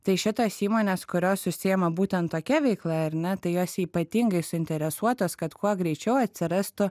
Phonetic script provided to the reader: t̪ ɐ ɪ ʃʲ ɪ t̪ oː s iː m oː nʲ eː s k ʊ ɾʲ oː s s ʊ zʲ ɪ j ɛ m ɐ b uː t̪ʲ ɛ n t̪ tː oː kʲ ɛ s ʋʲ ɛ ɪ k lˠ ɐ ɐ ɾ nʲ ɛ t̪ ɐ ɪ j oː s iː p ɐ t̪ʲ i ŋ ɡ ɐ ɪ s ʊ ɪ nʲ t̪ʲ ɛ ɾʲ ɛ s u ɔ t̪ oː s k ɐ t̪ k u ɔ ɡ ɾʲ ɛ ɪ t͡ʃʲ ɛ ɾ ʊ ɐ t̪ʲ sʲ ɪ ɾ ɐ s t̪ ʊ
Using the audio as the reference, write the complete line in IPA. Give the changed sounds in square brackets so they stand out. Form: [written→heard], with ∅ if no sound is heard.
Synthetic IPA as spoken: t̪ ɐ ɪ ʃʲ ɪ t̪ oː s iː m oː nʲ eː s k ʊ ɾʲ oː s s ʊ [zʲ→sʲ] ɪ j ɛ m ɐ b uː t̪ʲ ɛ n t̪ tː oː kʲ ɛ [s→∅] ʋʲ ɛ ɪ k lˠ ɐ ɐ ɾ nʲ ɛ t̪ ɐ ɪ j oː s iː p ɐ t̪ʲ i ŋ ɡ ɐ ɪ s ʊ ɪ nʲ t̪ʲ ɛ ɾʲ ɛ s u ɔ t̪ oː s k ɐ t̪ k u ɔ ɡ ɾʲ ɛ ɪ t͡ʃʲ ɛ [ɾ→∅] ʊ ɐ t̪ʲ sʲ ɪ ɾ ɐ s t̪ ʊ